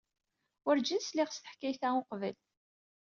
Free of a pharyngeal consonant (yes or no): no